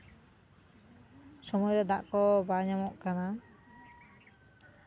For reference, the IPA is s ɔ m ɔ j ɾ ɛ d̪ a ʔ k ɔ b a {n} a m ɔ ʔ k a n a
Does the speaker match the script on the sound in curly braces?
no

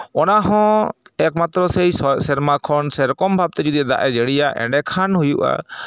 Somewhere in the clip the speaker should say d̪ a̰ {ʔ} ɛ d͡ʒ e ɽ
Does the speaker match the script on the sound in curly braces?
yes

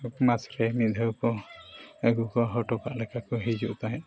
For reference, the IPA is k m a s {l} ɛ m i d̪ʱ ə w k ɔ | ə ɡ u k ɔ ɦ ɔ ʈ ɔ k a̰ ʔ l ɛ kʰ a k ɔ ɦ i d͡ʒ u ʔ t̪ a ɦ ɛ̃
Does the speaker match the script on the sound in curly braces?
no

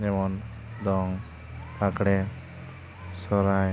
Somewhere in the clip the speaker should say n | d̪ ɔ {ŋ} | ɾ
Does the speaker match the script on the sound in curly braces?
yes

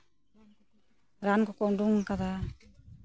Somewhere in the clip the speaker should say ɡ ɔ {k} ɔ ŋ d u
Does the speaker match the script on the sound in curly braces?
yes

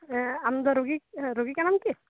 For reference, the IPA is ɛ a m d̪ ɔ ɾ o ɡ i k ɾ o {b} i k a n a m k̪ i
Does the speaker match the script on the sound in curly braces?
no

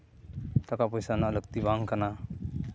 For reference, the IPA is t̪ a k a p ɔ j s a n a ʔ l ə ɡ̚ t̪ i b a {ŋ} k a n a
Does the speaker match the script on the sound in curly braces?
yes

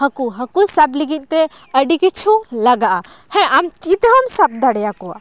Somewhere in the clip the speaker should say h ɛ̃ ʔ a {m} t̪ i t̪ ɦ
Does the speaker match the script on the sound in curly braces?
yes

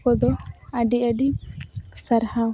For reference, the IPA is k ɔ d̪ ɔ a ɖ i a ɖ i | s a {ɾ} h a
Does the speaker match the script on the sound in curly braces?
yes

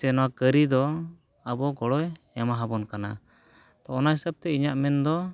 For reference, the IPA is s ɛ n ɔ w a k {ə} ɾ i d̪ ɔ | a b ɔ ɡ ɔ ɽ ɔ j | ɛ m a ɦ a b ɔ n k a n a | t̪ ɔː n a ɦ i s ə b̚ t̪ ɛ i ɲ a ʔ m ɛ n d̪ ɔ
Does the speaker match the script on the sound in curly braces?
yes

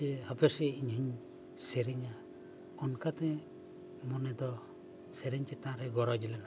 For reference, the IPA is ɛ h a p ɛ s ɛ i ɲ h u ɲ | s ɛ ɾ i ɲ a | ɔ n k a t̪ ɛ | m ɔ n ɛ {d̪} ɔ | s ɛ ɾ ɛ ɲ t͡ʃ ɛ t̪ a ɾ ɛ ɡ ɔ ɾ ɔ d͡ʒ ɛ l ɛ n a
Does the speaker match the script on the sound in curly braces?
yes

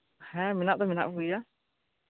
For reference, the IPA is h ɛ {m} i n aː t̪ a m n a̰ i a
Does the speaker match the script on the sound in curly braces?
yes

